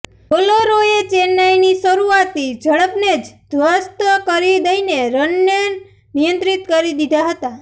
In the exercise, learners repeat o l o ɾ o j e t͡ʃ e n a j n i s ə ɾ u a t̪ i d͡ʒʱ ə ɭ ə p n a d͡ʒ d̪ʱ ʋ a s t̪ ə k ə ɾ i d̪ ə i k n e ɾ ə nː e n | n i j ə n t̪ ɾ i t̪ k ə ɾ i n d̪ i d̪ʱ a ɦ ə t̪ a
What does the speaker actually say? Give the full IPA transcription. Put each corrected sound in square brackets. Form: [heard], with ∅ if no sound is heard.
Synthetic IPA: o l o ɾ o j e t͡ʃ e n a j n i s ə ɾ u a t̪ i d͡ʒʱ ə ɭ ə p n [e] d͡ʒ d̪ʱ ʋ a s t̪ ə k ə ɾ i d̪ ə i [∅] n e ɾ ə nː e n | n i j ə n t̪ ɾ i t̪ k ə ɾ i [∅] d̪ i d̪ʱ a ɦ ə t̪ a

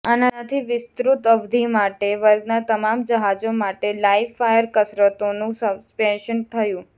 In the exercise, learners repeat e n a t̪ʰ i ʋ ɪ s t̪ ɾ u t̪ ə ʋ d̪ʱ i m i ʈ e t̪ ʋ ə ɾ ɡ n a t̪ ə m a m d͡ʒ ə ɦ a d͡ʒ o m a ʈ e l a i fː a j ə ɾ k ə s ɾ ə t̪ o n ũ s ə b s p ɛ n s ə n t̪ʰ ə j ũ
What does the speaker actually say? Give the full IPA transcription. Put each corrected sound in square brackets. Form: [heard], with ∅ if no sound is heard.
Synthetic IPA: [a] n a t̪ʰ i ʋ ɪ s t̪ ɾ u t̪ ə ʋ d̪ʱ i m [a] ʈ e [∅] ʋ ə ɾ ɡ n a t̪ ə m a m d͡ʒ ə ɦ a d͡ʒ o m a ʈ e l a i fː a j ə ɾ k ə s ɾ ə t̪ o n ũ s ə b s p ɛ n [ʃ] ə n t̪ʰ ə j ũ

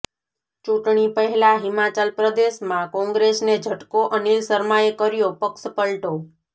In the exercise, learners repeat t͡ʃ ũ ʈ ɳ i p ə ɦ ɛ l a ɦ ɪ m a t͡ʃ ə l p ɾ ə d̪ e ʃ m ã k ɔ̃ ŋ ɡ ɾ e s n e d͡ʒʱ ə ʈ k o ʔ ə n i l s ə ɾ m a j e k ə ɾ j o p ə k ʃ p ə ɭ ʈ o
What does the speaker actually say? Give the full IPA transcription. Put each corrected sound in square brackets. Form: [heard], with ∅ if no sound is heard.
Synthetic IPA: t͡ʃ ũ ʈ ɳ i p ə ɦ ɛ l a ɦ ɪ m a t͡ʃ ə l p ɾ ə d̪ e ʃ m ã k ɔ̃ ŋ ɡ ɾ e s n e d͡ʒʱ ə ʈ k o ʔ ə n i l s ə ɾ m a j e k ə ɾ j o p ə k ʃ p ə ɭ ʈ o

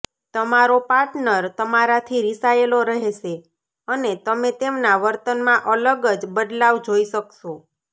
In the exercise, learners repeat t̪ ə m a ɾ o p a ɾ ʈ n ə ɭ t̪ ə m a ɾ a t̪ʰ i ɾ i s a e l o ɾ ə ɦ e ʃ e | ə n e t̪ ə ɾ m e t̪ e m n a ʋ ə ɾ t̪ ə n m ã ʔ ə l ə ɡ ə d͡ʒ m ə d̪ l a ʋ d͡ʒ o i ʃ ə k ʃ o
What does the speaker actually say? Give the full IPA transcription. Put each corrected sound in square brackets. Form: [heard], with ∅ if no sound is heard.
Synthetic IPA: t̪ ə m a ɾ o p a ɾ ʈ n ə [ɾ] t̪ ə m a ɾ a t̪ʰ i ɾ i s a e l o ɾ ə ɦ e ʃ e | ə n e t̪ ə [∅] m e t̪ e m n a ʋ ə ɾ t̪ ə n m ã ʔ ə l ə ɡ ə d͡ʒ [b] ə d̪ l a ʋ d͡ʒ o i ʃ ə k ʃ o

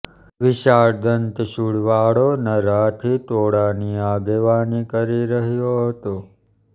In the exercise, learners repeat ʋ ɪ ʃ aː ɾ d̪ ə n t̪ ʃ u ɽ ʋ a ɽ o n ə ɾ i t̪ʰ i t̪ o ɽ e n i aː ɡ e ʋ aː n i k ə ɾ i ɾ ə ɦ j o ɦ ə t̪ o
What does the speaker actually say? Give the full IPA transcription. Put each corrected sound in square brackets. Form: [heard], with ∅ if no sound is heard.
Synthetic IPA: ʋ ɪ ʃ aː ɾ d̪ ə n t̪ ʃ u ɽ ʋ a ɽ o n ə ɾ [a] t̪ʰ i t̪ o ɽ [a] n i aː ɡ e ʋ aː n i k ə ɾ i ɾ ə ɦ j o ɦ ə t̪ o

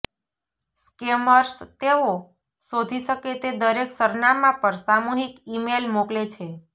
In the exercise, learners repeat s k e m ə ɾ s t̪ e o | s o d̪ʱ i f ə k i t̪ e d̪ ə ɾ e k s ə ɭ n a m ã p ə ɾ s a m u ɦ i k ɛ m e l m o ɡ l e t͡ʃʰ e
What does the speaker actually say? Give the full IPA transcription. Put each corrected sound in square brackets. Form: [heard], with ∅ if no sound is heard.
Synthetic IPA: s k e m ə ɾ s t̪ e o | s o d̪ʱ i [ʃ] ə k [e] t̪ e d̪ ə ɾ e k s ə [ɾ] n a m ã p ə ɾ s a m u ɦ i k [i] m e l m o [k] l e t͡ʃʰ e

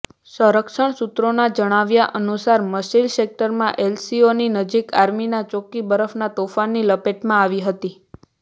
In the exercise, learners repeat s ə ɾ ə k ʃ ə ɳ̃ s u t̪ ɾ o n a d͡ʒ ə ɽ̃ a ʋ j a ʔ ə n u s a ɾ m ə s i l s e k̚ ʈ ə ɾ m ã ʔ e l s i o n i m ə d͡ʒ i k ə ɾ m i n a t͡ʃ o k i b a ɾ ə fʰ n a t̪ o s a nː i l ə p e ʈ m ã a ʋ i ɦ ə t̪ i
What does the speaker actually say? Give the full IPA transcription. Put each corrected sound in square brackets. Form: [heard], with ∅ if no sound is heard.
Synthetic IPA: s ə ɾ ə k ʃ ə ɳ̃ s u t̪ ɾ o n a d͡ʒ ə ɽ̃ a ʋ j a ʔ ə n u s a ɾ m ə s i l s e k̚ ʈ ə ɾ m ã ʔ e l s i o n i [n] ə d͡ʒ i k [a] ɾ m i n a t͡ʃ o k i b [ə] ɾ ə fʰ n a t̪ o [f] a nː i l ə p e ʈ m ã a ʋ i ɦ ə t̪ i

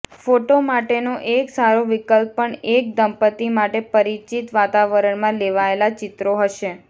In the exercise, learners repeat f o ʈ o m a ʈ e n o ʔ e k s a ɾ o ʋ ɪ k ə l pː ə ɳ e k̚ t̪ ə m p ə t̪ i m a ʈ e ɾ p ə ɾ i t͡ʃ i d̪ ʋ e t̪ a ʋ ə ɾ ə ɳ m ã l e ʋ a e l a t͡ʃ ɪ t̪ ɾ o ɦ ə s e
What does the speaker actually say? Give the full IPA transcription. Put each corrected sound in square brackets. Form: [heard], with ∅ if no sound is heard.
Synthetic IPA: f o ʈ o m a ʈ e n o ʔ e k s a ɾ o ʋ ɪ k ə l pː ə ɳ e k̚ [d̪] ə m p ə t̪ i m a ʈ e [∅] p ə ɾ i t͡ʃ i [t̪] ʋ [a] t̪ a ʋ ə ɾ ə ɳ m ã l e ʋ a e l a t͡ʃ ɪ t̪ ɾ o ɦ ə [ʃ] e

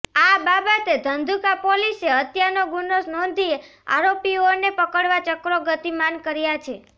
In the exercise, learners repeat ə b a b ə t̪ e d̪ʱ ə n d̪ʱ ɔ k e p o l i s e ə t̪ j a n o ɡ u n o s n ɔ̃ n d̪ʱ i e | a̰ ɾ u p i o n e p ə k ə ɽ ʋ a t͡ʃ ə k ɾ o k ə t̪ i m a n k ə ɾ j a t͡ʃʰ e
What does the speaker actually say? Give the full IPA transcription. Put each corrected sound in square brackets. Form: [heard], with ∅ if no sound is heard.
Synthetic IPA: [a] b a b ə t̪ e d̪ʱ ə n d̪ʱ [u] k [a] p o l i s e ə t̪ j a n o ɡ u n o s n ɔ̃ n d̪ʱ i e | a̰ ɾ [o] p i o n e p ə k ə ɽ ʋ a t͡ʃ ə k ɾ o [ɡ] ə t̪ i m a n k ə ɾ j a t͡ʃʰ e

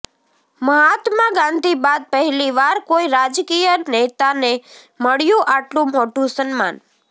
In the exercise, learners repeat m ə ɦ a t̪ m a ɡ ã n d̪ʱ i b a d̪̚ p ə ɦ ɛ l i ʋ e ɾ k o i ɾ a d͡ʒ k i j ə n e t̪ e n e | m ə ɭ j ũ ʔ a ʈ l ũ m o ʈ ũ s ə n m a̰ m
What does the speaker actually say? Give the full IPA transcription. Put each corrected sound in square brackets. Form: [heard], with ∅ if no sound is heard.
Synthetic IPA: m ə ɦ a t̪ m a ɡ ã n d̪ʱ i b a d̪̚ p ə ɦ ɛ l i ʋ [a] ɾ k o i ɾ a d͡ʒ k i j ə n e t̪ [a] n e | m ə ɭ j ũ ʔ a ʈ l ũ m o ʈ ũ s ə n m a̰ [n]

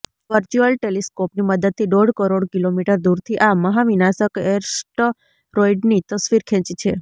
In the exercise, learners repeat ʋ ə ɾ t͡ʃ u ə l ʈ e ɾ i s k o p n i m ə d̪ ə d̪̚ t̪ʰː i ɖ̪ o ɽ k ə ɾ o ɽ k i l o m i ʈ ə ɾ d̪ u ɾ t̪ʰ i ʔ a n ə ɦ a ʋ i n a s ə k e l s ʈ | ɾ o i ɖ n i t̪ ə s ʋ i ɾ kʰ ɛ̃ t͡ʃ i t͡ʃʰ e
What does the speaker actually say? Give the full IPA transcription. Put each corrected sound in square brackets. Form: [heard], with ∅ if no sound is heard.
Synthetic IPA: ʋ ə ɾ t͡ʃ u ə l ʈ e [l] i s k o p n i m ə d̪ ə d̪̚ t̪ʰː i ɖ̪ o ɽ k ə ɾ o ɽ k i l o m i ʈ ə ɾ d̪ u ɾ t̪ʰ i ʔ a [m] ə ɦ a ʋ i n a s ə k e [ɾ] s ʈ | ɾ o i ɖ n i t̪ ə s ʋ i ɾ kʰ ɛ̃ t͡ʃ i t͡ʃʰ e

